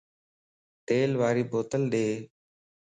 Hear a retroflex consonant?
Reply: no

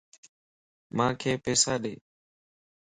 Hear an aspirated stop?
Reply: yes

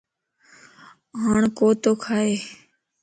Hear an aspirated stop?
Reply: yes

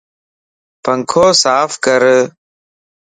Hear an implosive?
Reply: no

